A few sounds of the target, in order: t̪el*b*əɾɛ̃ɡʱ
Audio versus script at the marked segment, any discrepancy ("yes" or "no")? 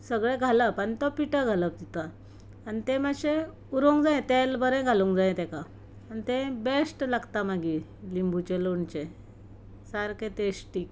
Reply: no